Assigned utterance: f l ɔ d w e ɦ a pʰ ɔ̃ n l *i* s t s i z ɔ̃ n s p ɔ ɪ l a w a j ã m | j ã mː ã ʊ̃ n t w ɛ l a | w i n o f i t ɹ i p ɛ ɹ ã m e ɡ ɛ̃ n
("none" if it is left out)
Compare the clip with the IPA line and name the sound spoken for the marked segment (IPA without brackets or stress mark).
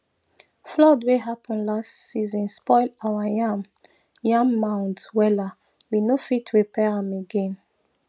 a